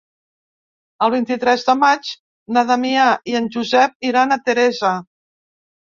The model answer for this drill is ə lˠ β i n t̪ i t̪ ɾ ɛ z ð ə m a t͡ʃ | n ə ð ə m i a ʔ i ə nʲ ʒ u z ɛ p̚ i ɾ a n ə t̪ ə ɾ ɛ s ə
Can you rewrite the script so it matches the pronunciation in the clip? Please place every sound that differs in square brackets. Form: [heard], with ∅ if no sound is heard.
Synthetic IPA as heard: ə lˠ β i n t̪ i t̪ ɾ ɛ z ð ə m a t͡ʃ | n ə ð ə m i a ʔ i ə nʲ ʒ u z ɛ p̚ i ɾ a n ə t̪ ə ɾ ɛ [z] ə